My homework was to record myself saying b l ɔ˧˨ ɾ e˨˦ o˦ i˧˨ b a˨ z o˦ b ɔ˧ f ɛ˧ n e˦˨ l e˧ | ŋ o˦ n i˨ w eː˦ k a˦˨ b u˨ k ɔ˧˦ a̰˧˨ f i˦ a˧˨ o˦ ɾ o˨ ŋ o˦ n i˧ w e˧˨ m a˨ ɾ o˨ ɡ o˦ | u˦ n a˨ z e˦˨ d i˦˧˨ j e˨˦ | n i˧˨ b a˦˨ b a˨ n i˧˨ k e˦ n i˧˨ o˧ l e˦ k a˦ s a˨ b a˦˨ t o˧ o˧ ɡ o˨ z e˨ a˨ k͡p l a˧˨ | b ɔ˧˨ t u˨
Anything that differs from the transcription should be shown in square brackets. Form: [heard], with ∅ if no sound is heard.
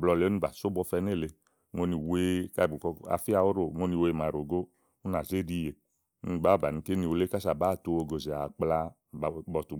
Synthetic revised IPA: b l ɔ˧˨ [l] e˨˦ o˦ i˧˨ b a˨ [s] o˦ b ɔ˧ f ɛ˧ n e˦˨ l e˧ | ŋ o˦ n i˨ w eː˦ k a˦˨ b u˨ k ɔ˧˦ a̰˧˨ f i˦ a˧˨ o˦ ɾ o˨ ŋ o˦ n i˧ w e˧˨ m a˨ ɾ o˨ ɡ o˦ | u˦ n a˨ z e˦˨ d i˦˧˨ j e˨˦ | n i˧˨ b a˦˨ b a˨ n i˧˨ k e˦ n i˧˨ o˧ l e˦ k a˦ s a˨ b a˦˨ t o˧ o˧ ɡ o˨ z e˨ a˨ k͡p l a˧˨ | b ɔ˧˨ t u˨